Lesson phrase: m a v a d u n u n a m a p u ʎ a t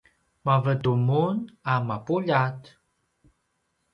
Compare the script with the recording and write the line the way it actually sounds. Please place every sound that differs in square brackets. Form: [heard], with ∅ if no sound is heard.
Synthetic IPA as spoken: m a v [ə] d u [m] u n a m a p u ʎ a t